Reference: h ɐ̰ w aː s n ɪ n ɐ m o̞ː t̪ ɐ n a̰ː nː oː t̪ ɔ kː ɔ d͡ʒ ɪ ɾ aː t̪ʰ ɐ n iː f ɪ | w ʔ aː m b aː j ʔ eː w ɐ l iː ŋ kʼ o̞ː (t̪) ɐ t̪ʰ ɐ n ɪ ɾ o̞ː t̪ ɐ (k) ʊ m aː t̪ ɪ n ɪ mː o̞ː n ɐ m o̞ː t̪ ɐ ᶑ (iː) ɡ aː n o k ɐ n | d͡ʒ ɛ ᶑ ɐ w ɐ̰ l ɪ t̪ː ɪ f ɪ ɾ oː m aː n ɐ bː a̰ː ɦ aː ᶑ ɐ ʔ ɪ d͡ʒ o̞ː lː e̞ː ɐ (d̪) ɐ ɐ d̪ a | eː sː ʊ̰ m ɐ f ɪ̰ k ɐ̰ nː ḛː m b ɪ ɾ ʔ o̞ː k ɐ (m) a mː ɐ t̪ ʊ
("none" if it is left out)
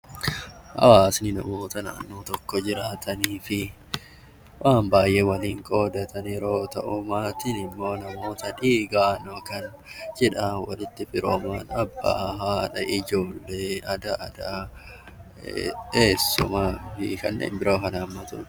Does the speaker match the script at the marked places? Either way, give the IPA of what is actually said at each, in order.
d̪, ʔ, iː, d̪, n

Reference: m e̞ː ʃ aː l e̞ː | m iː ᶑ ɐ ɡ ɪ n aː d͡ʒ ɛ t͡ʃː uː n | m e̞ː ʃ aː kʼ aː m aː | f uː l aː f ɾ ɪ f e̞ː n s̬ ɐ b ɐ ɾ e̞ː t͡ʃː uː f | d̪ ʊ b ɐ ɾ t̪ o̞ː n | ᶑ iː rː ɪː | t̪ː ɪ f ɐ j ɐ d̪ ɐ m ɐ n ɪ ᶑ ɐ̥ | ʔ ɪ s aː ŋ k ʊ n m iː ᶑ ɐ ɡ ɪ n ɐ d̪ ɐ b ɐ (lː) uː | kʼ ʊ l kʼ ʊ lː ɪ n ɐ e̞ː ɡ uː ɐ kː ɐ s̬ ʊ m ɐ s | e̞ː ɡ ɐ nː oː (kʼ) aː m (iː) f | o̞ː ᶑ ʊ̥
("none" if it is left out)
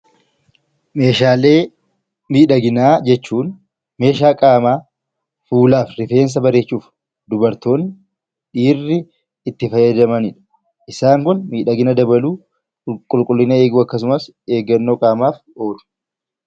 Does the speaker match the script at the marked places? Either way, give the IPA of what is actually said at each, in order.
l, kʼ, aː

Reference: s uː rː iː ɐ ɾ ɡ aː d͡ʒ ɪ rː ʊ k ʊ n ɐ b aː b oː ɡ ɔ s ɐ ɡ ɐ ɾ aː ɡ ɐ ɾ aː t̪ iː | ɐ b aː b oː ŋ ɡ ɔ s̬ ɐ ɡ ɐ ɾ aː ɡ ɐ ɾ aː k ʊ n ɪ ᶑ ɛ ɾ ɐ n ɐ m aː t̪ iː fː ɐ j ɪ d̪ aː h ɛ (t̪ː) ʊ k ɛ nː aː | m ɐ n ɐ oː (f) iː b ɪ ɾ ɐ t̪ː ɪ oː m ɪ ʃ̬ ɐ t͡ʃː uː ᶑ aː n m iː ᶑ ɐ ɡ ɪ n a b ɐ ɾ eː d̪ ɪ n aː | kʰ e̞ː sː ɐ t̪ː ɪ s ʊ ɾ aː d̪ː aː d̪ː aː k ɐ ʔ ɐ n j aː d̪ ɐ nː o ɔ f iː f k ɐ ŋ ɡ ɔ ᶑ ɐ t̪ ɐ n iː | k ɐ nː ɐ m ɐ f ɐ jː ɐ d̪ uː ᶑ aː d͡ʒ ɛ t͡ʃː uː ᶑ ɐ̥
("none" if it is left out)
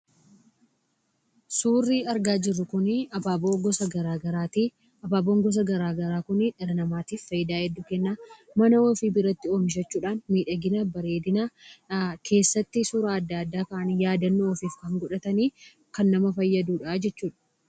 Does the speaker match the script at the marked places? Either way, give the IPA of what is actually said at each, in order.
d̪ː, f

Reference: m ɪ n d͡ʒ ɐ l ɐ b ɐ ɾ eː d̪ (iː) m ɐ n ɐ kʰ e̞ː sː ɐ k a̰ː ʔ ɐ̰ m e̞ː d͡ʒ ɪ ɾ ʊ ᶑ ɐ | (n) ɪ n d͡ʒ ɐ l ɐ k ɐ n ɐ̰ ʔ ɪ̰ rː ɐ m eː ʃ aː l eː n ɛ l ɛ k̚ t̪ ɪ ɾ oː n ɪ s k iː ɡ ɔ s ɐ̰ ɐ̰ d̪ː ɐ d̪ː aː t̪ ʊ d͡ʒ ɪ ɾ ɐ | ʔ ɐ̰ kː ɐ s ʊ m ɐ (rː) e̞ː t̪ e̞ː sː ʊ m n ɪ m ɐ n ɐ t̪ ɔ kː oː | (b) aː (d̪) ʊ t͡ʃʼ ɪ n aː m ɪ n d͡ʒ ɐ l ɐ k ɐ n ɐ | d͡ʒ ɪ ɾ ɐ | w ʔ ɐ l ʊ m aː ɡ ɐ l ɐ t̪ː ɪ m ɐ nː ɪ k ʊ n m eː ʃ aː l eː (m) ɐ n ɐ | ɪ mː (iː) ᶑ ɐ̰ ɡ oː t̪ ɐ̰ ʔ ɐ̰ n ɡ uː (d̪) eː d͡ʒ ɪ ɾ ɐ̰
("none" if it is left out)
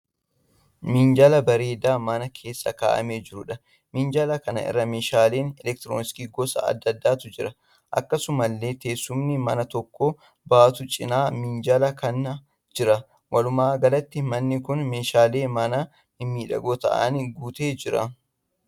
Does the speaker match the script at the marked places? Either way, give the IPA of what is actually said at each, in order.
aː, m, lː, b, t̪, m, iː, t̪

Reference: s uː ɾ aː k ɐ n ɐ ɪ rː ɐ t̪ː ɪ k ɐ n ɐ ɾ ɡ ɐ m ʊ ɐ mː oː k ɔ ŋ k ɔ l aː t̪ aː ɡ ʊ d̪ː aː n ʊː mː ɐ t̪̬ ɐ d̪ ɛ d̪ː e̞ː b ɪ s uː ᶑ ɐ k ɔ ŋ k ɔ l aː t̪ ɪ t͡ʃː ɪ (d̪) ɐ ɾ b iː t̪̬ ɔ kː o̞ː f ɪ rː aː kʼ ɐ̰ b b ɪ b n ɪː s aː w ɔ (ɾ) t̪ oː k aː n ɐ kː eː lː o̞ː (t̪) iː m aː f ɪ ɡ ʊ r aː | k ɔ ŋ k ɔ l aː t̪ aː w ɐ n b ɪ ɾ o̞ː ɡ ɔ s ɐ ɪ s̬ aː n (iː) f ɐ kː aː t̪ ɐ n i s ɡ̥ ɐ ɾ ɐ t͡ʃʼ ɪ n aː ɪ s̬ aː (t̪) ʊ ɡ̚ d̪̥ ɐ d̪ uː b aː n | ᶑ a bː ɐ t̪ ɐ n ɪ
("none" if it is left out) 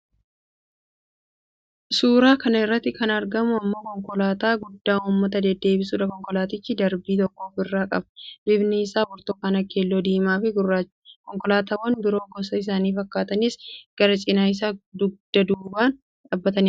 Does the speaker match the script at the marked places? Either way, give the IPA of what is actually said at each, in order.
d̪, ɾ, d̪, iː, d̪

